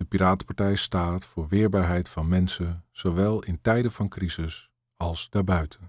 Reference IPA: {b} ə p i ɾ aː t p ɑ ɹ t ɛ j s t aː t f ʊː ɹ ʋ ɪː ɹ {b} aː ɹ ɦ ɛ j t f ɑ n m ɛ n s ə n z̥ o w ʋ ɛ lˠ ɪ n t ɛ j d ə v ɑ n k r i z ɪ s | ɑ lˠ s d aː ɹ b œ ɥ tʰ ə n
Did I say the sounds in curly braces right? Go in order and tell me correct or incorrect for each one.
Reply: incorrect: d, correct

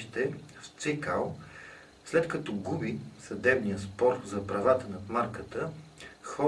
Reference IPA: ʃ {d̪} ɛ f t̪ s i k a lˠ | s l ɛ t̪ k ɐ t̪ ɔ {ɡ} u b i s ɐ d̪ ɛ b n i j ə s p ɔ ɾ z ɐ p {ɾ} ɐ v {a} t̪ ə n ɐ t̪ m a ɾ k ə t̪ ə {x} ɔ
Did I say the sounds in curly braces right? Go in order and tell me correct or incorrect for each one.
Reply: incorrect: t̪, correct, correct, correct, correct

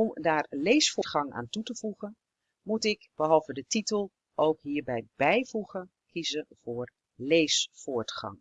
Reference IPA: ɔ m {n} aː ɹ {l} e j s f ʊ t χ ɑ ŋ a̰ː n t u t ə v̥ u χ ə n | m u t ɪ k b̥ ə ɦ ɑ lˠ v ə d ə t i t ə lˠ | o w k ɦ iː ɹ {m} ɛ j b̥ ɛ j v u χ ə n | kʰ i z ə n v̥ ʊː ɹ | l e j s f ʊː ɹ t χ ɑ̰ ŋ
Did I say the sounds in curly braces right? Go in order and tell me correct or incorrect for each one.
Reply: incorrect: d, correct, incorrect: b

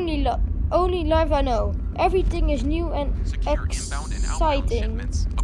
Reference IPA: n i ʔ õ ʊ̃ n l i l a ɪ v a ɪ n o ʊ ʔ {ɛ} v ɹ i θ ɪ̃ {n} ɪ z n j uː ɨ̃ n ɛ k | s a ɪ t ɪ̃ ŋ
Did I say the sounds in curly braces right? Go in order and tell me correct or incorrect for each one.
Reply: correct, incorrect: ŋ

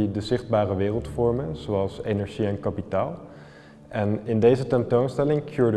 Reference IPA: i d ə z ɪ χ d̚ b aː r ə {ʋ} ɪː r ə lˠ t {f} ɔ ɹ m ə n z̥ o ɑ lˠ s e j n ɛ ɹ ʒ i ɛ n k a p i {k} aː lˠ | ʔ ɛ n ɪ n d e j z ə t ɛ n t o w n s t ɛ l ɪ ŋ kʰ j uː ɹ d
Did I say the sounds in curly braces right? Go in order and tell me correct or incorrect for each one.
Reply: correct, correct, incorrect: t

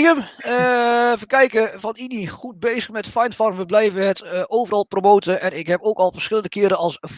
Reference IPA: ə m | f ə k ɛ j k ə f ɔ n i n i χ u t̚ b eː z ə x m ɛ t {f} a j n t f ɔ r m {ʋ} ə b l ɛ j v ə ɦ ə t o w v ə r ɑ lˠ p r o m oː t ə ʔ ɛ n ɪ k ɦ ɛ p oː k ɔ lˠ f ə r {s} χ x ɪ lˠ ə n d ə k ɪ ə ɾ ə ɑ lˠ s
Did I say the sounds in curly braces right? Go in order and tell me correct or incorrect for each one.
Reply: correct, correct, correct

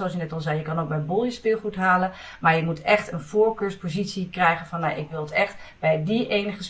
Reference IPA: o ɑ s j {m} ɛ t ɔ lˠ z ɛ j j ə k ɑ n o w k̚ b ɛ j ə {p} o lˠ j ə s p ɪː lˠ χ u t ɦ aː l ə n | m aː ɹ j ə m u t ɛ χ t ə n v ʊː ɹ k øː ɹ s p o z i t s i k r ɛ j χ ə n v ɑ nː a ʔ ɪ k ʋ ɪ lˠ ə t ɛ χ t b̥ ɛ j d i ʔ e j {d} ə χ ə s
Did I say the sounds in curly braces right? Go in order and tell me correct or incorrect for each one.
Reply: incorrect: n, incorrect: b, incorrect: n

